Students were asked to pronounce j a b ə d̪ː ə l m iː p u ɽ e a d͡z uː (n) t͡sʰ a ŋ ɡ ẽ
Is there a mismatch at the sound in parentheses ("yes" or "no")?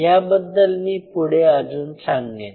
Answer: no